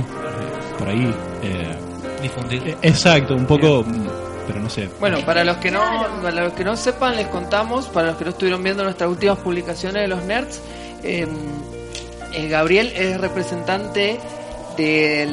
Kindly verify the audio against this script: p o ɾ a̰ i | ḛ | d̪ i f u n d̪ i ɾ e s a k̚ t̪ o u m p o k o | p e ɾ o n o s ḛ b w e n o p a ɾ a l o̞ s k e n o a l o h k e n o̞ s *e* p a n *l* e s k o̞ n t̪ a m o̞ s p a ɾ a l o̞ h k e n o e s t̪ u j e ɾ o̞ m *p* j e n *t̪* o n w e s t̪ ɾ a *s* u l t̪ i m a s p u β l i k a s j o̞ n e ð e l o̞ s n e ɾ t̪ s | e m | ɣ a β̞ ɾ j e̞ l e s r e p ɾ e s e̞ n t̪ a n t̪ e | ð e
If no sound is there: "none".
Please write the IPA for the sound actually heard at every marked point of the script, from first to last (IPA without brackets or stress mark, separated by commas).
e, l, b, d̪, s